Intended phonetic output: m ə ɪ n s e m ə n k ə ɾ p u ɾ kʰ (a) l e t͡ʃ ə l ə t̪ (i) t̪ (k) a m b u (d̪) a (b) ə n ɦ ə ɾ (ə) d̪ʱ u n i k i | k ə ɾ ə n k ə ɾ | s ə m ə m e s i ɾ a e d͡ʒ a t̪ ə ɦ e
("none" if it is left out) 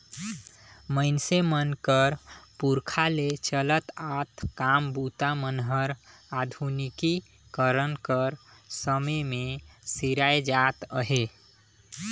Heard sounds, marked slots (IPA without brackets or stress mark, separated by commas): a, a, k, t̪, m, a